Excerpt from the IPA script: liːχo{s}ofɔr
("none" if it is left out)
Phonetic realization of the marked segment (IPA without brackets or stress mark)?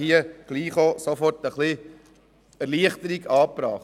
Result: s